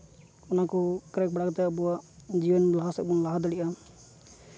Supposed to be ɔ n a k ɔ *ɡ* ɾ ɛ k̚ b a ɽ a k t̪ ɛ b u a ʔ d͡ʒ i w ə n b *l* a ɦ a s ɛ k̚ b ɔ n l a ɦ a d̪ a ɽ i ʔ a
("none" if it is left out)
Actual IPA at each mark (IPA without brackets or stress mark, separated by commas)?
k, l